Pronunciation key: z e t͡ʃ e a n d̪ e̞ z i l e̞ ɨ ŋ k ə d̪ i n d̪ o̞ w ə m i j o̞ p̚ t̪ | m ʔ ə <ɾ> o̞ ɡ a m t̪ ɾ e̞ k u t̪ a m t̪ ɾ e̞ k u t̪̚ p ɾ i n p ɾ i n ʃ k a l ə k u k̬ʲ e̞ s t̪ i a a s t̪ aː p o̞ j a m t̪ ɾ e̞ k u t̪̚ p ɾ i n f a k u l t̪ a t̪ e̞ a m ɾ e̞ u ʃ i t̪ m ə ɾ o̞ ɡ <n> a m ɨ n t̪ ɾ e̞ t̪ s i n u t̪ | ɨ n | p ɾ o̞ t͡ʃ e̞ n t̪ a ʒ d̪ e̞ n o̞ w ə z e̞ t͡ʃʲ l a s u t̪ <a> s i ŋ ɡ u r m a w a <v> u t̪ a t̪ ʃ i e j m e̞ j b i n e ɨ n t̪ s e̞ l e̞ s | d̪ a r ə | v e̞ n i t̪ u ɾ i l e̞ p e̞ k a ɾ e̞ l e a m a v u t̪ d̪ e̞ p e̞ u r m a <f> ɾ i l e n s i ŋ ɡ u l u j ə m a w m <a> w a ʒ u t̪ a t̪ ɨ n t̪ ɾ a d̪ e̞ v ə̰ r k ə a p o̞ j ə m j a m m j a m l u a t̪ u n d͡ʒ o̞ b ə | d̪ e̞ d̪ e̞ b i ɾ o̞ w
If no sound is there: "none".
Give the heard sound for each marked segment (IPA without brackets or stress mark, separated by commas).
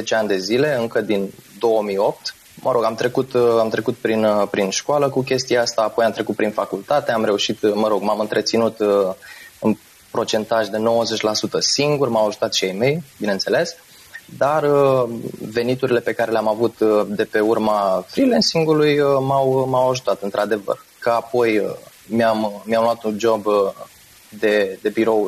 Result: ɾ, m, ə, ʒ, f, a